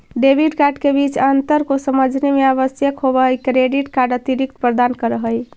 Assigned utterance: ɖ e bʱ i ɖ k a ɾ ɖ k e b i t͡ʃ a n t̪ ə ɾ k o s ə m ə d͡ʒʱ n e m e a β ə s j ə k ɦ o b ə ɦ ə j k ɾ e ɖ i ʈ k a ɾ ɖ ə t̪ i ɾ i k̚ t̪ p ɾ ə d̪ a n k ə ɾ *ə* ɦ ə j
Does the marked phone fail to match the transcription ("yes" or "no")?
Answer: no